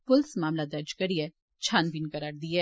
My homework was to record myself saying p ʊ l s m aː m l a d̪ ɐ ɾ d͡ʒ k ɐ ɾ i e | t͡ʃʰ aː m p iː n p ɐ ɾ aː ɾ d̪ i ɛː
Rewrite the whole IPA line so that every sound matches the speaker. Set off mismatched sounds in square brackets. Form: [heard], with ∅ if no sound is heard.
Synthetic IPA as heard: p ʊ l s m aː m l a d̪ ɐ ɾ d͡ʒ k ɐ ɾ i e | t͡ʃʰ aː [n] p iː n [k] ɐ ɾ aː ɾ d̪ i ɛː